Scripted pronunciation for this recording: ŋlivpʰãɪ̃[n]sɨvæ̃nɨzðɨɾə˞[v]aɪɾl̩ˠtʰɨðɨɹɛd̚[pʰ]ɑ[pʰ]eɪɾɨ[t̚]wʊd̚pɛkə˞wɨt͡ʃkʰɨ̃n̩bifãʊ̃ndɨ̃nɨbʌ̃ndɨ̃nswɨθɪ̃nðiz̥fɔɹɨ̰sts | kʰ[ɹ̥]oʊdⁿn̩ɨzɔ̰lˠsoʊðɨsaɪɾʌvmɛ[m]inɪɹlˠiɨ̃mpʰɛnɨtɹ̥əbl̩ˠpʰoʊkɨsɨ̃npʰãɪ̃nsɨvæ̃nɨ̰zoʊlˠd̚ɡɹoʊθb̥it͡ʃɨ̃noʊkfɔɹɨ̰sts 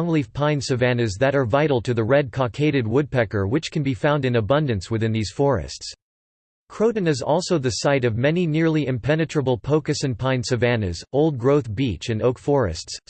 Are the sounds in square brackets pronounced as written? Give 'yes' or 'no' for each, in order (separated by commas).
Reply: yes, yes, no, no, no, yes, no